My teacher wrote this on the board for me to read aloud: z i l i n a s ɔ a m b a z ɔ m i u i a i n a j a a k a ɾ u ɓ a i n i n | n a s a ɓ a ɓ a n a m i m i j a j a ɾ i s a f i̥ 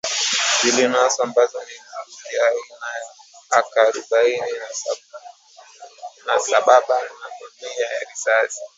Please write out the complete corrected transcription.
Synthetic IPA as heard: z i l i n a s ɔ a m b a z ɔ n i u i a i n a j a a k a ɾ u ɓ a i n i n | n a s a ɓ a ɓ a n a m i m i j a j a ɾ i s a s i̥